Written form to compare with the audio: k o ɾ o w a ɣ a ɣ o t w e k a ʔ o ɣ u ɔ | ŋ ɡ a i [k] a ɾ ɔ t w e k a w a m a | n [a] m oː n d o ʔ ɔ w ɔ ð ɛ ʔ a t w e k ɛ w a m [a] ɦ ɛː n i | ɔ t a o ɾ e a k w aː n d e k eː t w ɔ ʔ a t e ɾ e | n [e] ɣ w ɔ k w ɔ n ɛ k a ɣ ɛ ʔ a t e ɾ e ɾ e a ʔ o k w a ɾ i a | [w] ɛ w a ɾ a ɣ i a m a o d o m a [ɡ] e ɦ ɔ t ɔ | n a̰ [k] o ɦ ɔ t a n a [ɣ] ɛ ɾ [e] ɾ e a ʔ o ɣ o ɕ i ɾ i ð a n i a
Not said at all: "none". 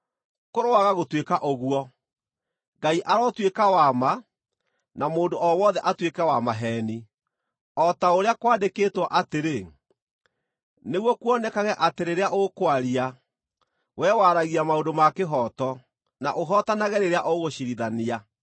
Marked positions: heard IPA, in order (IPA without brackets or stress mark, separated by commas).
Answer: ʔ, a, a, e, w, k, ʔ, ɣ, e